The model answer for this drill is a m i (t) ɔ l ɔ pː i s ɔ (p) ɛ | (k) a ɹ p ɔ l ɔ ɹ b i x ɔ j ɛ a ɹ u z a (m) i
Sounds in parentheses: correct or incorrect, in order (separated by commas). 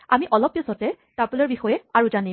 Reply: incorrect, incorrect, incorrect, incorrect